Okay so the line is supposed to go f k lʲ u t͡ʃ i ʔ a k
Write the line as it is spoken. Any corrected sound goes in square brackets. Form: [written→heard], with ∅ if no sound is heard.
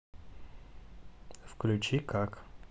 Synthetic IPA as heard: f k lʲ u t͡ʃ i [ʔ→k] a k